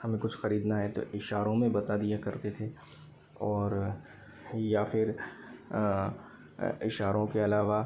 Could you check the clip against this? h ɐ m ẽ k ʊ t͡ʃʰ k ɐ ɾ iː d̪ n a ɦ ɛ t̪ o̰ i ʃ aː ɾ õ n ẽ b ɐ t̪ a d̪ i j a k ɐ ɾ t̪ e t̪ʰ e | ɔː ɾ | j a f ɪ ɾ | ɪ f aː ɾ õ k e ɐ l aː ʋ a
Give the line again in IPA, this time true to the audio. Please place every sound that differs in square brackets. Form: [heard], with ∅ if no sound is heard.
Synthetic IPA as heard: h ɐ m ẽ k ʊ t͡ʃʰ [x] ɐ ɾ iː d̪ n a ɦ ɛ t̪ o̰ [ɪ] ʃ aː ɾ õ [m] ẽ b ɐ t̪ a d̪ i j a k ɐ ɾ t̪ e t̪ʰ e | ɔː ɾ | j a f ɪ ɾ | ɪ [ʃ] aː ɾ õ k e ɐ l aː ʋ a

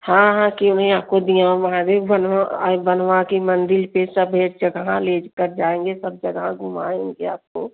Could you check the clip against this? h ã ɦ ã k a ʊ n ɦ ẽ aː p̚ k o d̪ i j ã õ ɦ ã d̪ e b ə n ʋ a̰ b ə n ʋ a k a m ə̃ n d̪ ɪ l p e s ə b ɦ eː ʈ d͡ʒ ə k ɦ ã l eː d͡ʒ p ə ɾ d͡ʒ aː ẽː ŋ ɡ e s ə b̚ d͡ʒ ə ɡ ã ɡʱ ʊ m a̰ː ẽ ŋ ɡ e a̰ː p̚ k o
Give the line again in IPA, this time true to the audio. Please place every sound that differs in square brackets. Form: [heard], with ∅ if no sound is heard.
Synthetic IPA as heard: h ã ɦ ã k [i] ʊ n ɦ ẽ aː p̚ k o d̪ i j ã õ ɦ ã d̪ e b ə n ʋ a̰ b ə n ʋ a k [i] m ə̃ n d̪ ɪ l p e s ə b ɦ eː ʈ d͡ʒ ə [ɡ] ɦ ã l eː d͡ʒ [k] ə ɾ d͡ʒ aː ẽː ŋ ɡ e s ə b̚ d͡ʒ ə ɡ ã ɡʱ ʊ m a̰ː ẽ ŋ ɡ e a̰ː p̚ k o

